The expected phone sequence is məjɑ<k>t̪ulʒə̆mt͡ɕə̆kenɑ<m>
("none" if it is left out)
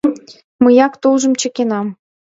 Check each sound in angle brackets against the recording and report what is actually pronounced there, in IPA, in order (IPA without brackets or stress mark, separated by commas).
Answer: k, m